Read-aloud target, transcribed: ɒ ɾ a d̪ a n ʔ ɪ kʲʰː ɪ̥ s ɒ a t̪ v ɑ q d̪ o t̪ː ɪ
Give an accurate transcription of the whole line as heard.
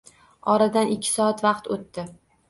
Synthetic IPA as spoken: ɒ ɾ a d̪ a n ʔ ɪ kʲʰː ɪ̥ s ɒ a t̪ v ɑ q t̪ o t̪ː ɪ